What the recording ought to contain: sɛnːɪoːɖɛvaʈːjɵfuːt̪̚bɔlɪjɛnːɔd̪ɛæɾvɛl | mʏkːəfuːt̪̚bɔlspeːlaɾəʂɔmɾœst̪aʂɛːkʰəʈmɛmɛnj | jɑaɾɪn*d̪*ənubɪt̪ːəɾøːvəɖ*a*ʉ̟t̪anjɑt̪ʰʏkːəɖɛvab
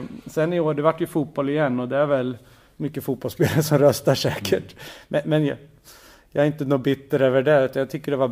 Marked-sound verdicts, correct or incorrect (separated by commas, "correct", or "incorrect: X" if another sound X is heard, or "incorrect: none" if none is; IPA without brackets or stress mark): incorrect: t̪, incorrect: ɛ